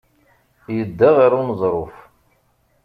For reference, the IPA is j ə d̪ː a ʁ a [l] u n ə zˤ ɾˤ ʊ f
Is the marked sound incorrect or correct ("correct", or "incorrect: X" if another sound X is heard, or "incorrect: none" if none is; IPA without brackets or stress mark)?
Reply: incorrect: ɾ